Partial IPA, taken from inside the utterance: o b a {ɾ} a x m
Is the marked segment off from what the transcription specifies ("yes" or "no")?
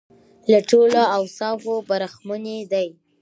no